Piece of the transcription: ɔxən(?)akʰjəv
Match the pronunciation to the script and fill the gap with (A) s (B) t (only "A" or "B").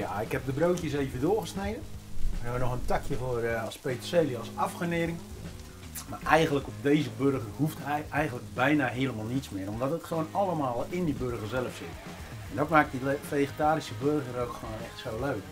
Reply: B